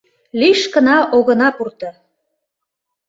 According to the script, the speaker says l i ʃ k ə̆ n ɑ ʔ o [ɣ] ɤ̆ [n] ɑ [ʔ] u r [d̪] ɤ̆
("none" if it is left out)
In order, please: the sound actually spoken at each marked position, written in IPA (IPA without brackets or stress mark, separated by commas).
ɣ, n, p, t̪